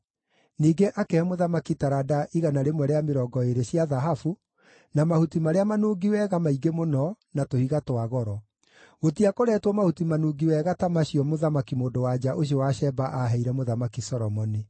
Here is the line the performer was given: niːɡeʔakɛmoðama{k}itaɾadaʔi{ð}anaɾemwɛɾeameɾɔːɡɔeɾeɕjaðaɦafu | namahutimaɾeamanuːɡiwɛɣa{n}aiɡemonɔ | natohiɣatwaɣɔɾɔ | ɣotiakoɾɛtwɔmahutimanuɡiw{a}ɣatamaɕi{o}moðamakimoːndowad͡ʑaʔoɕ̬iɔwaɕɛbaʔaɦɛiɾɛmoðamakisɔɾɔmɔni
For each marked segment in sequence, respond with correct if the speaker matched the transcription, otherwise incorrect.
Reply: correct, incorrect, incorrect, incorrect, incorrect

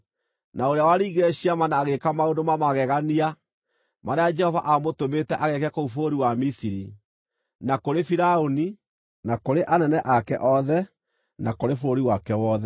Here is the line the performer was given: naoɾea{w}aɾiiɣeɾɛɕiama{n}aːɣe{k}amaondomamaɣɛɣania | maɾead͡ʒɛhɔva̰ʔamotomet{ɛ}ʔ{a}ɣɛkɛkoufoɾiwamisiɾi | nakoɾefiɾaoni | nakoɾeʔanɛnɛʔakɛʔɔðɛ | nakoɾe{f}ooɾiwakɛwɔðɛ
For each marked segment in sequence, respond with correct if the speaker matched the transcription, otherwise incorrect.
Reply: correct, correct, correct, correct, correct, correct

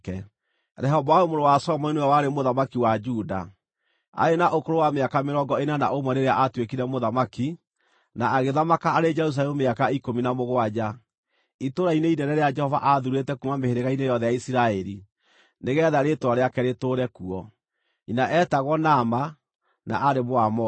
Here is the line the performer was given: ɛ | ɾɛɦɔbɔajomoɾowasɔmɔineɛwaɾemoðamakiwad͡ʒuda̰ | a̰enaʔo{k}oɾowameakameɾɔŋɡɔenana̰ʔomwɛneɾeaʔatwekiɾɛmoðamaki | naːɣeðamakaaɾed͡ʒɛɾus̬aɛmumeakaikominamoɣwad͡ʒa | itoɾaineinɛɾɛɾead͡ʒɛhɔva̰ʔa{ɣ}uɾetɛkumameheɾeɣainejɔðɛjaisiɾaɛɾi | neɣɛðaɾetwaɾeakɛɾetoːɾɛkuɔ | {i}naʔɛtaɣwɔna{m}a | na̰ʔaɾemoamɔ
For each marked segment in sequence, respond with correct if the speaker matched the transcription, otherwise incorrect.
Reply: correct, incorrect, correct, correct

